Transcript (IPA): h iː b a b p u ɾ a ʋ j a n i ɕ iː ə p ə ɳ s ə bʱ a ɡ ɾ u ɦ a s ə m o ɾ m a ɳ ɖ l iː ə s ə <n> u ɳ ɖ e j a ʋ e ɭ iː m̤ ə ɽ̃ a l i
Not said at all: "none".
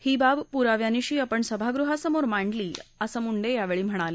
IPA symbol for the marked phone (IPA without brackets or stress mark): m